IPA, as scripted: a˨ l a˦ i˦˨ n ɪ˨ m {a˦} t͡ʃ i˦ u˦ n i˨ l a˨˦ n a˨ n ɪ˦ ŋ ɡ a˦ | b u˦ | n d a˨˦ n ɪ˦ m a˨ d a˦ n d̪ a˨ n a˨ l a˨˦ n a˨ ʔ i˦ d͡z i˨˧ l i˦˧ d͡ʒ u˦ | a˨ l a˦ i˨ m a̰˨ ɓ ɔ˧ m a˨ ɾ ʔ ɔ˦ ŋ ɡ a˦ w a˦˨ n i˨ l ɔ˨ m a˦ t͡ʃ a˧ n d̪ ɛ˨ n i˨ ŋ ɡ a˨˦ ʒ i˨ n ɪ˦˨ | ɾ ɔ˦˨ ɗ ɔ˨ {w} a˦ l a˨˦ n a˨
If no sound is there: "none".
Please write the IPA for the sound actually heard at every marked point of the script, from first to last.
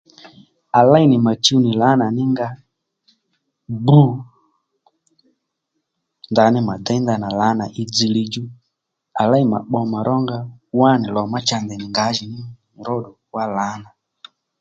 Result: a˨, w

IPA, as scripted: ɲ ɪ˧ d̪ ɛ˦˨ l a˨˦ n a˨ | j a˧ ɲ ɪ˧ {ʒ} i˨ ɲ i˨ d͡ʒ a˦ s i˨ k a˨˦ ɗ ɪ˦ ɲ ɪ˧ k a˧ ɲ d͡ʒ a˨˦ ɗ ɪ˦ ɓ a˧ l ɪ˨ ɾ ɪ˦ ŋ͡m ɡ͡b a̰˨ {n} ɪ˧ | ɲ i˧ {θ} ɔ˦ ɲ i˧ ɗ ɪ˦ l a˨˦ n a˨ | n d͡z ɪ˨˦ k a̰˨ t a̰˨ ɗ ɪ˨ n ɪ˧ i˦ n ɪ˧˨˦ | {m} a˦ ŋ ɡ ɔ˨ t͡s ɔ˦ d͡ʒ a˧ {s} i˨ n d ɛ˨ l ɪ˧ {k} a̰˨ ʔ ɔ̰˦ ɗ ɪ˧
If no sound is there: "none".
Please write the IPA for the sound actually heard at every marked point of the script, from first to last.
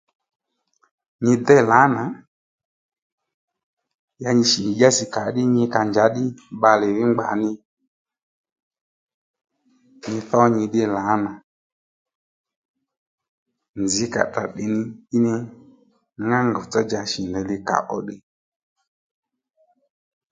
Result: ʃ, n, θ, ŋ, ʃ, k

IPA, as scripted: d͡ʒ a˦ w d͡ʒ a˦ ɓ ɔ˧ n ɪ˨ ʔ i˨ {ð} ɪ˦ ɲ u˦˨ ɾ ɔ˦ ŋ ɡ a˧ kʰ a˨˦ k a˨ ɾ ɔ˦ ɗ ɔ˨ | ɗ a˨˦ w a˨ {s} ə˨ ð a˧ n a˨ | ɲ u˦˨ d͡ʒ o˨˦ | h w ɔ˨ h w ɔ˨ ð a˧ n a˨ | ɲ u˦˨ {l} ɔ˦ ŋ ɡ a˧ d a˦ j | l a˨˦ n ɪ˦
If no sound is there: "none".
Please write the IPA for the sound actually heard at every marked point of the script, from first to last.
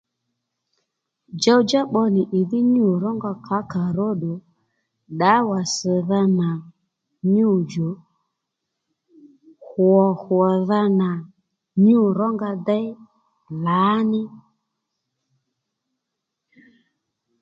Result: ð, s, ɾ

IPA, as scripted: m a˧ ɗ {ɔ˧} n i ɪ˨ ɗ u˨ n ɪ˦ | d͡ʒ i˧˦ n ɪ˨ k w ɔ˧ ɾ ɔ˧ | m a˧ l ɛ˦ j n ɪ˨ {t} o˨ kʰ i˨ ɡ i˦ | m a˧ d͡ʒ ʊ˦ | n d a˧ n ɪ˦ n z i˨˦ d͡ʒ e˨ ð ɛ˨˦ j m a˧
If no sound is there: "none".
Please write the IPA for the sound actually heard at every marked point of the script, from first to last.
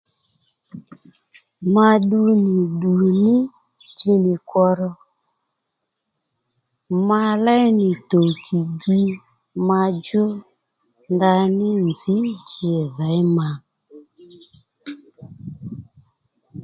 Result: u˧, t

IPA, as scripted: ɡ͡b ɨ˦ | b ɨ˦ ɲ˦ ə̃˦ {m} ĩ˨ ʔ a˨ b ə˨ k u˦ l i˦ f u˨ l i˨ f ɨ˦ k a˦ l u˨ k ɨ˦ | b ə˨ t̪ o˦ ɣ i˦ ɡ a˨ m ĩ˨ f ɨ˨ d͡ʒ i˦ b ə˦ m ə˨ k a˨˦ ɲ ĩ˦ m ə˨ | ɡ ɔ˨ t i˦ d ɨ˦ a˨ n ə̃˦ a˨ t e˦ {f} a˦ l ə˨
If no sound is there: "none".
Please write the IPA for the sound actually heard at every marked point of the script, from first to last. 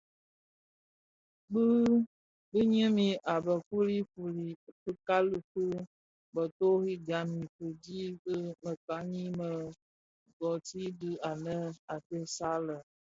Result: m, s

